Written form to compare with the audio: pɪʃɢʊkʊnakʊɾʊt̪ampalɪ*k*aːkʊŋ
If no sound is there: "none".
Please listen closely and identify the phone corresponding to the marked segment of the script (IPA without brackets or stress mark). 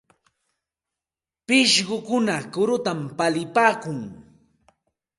p